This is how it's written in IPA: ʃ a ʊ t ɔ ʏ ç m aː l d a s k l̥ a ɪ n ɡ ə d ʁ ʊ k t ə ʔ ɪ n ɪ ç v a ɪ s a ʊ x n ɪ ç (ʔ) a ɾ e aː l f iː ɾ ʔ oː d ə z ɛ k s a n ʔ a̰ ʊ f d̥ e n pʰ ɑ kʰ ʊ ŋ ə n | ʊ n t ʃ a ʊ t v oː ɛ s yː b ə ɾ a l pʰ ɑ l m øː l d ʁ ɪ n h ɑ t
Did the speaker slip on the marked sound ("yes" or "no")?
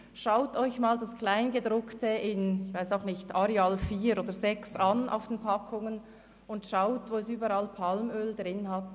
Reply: yes